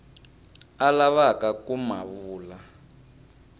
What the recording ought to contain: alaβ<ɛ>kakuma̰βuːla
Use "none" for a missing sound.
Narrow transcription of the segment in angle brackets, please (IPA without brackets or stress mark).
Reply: a